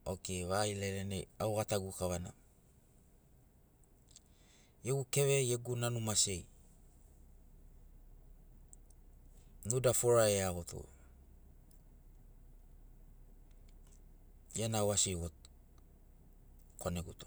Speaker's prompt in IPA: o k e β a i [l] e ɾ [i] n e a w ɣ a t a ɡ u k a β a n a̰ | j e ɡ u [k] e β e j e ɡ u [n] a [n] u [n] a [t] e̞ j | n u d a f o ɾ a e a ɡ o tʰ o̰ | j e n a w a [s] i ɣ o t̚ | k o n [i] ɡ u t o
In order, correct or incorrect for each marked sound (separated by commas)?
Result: correct, incorrect, correct, correct, correct, incorrect, incorrect, correct, incorrect